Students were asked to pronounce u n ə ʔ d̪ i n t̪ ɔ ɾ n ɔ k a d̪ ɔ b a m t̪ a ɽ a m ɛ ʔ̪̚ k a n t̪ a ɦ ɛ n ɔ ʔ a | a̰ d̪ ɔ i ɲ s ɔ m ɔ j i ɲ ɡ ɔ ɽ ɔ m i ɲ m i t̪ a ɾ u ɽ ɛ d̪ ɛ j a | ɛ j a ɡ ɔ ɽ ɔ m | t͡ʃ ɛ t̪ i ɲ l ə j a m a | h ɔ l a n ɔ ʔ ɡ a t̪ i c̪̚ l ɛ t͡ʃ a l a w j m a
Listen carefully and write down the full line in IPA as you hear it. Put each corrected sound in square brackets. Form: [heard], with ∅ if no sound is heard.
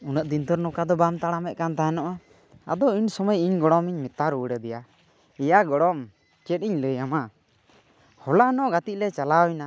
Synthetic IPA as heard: u n ə ʔ d̪ i n t̪ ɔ ɾ n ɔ k a d̪ ɔ b a m t̪ a ɽ a m ɛ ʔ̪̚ k a n t̪ a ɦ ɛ n ɔ ʔ a | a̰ d̪ ɔ i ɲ s ɔ m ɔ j i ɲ ɡ ɔ ɽ ɔ m i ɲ m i t̪ a ɾ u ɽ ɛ d̪ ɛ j a | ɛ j a ɡ ɔ ɽ ɔ m | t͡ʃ ɛ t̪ i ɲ l ə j a m a | h ɔ l a n ɔ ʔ ɡ a t̪ i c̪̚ l ɛ t͡ʃ a l a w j [n] a